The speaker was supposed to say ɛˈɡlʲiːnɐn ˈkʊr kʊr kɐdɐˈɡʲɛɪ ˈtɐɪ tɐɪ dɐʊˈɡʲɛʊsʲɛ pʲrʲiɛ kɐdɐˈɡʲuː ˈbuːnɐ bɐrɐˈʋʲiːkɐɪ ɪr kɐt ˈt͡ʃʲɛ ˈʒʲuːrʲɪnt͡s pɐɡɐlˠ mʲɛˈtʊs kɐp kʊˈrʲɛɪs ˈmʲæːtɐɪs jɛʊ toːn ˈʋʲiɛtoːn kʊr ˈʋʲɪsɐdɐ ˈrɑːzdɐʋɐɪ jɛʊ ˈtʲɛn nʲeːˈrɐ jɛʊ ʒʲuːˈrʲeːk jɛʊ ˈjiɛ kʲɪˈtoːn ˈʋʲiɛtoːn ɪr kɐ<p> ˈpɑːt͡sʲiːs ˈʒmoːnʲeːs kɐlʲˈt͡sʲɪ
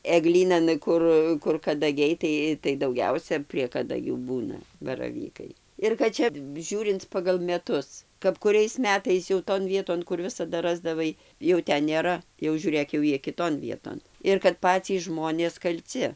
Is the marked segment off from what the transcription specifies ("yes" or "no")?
yes